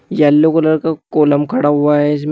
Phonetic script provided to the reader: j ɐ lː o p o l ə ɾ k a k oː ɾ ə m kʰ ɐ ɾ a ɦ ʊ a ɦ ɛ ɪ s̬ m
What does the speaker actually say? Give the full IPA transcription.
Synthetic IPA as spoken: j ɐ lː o k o l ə ɾ k a k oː l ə m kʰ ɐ ɽ a ɦ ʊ a ɦ ɛ ɪ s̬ m

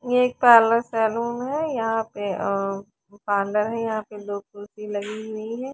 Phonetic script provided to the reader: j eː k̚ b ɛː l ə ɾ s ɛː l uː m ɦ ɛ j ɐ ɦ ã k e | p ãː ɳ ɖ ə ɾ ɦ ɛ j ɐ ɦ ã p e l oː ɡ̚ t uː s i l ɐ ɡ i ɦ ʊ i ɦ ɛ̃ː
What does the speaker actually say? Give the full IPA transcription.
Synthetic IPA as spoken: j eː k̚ p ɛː l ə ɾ s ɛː l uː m ɦ ɛ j ɐ ɦ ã p e | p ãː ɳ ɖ ə ɾ ɦ ɛ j ɐ ɦ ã p e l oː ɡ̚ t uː s i l ɐ ɡ i ɦ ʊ i ɦ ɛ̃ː

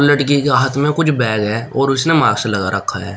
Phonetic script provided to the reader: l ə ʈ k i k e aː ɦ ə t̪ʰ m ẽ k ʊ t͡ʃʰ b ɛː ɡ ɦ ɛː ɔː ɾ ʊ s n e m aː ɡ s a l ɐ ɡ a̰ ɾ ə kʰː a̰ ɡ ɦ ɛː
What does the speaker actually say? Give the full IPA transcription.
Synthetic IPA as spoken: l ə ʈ k i k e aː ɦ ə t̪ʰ m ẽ k ʊ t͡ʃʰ b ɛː ɡ ɦ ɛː ɔː ɾ ʊ s n e m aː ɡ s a l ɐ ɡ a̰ ɾ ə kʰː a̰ ɦ ɛː

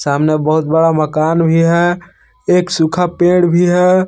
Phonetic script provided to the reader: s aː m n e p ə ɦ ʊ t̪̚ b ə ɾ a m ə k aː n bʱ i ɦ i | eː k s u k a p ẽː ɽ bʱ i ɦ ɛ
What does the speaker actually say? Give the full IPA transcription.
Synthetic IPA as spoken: s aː m n e b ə ɦ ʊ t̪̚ b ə ɽ a m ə k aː n bʱ i ɦ ɛ | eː k s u kʰ a p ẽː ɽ bʱ i ɦ ɛ

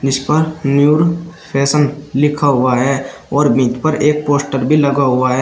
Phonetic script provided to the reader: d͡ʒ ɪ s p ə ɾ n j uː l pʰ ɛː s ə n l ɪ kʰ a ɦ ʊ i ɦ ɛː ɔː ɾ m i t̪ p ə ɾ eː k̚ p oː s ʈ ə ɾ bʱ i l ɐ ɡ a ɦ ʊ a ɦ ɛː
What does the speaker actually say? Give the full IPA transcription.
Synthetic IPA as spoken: d͡ʒ ɪ s p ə ɾ n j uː ɾ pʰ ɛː s ə n l ɪ kʰ a ɦ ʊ a ɦ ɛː ɔː ɾ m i t̪ p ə ɾ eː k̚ p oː s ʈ ə ɾ bʱ i l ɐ ɡ a ɦ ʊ a ɦ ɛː

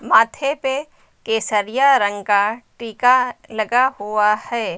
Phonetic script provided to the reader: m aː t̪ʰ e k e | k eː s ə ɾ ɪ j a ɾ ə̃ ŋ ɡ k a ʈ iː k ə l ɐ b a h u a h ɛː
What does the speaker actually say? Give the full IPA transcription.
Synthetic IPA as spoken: m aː t̪ʰ e p e | k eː s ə ɾ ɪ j a ɾ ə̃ ŋ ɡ k a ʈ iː k a l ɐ ɡ a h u a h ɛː

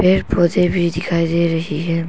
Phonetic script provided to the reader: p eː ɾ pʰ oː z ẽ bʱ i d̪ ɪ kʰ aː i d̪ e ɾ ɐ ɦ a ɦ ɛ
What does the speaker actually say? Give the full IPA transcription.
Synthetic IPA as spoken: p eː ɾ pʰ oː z e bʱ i d̪ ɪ kʰ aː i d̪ e ɾ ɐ ɦ i ɦ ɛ

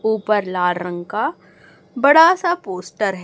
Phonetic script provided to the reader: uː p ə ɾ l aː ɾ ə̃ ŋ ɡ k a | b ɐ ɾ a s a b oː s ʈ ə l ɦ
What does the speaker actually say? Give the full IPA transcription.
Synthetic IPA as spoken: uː p ə ɾ l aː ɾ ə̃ ŋ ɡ k a | b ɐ ɽ a s a p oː s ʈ ə ɾ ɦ

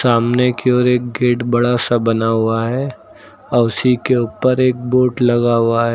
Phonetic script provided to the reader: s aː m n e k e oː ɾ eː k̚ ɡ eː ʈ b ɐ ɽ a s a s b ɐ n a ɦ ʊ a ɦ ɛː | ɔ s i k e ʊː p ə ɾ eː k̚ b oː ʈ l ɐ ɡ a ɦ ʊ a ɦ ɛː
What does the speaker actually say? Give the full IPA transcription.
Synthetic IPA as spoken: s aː m n e k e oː ɾ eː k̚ ɡ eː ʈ b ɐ ɽ a s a b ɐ n a ɦ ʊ a ɦ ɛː | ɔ s i k e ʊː p ə ɾ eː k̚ b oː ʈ l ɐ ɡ a ɦ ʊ a ɦ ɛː

